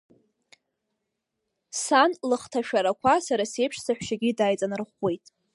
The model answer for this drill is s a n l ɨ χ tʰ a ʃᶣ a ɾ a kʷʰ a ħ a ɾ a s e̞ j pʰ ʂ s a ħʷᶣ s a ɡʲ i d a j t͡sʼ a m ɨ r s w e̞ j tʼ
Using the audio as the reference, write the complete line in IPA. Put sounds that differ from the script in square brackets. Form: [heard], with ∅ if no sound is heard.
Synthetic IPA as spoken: s a n l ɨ χ tʰ a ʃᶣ a ɾ a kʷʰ a [s] a ɾ a s e̞ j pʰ ʂ s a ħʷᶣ [ʃ] a ɡʲ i d a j t͡sʼ a [n] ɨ r [χ] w e̞ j tʼ